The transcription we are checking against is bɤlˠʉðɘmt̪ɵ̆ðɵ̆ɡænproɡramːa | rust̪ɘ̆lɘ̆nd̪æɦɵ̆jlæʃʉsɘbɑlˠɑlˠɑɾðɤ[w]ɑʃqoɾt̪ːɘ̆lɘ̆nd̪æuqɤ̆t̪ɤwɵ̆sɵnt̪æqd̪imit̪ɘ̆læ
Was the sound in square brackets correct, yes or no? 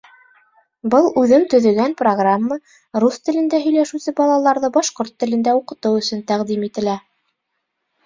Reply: no